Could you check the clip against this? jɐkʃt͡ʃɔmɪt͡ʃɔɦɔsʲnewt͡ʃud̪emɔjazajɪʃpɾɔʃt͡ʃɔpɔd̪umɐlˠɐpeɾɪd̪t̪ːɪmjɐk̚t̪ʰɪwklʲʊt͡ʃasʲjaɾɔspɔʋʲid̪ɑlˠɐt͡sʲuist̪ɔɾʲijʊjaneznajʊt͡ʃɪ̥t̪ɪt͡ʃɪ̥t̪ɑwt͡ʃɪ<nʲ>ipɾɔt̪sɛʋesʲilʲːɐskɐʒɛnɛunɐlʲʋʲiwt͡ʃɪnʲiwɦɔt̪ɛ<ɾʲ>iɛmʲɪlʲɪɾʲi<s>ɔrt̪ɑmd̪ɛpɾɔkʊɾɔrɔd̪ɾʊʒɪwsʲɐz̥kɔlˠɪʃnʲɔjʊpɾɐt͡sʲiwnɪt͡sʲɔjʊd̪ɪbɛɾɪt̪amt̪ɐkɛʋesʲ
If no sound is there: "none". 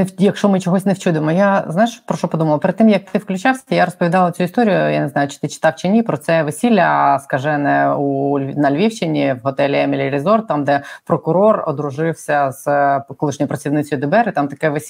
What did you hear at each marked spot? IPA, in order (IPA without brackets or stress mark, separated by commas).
nʲ, lʲ, z